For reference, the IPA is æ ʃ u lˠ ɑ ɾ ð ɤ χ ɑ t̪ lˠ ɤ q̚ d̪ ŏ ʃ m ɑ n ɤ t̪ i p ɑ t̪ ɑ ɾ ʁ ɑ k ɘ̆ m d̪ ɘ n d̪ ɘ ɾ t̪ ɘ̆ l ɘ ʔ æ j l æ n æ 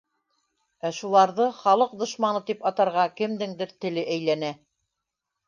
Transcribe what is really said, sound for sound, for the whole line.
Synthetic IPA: æ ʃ u lˠ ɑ ɾ ð ɤ χ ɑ lˠ ɤ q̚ d̪ ŏ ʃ m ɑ n ɤ t̪ i p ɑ t̪ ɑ ɾ ʁ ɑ k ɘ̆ m d̪ ɘ ŋ d̪ ɘ ɾ t̪ ɘ̆ l ɘ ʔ æ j l æ n æ